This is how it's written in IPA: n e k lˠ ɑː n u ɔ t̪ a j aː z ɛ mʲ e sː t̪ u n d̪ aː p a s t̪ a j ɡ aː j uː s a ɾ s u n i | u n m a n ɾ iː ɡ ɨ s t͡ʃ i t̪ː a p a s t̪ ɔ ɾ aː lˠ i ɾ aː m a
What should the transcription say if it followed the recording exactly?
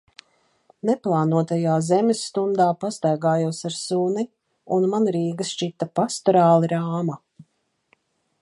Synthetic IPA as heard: n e p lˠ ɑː n u ɔ t̪ a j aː z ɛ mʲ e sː t̪ u n d̪ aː p a s t̪ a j ɡ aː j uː s a ɾ s u n i | u n m a n ɾ iː ɡ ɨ s t͡ʃ i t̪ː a p a s t̪ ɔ ɾ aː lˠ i ɾ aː m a